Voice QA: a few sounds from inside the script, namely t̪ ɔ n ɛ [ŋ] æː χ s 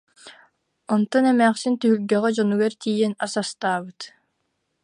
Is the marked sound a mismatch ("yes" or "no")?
yes